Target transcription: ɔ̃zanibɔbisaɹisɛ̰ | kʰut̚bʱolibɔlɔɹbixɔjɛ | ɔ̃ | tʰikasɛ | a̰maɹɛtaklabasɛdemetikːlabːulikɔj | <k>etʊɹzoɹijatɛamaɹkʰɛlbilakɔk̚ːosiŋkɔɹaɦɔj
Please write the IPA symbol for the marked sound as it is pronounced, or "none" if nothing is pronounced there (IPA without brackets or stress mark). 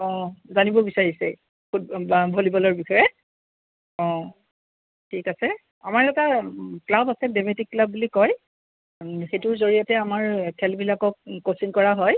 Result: x